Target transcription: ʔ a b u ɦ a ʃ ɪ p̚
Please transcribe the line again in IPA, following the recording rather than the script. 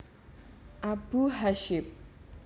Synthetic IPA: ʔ a b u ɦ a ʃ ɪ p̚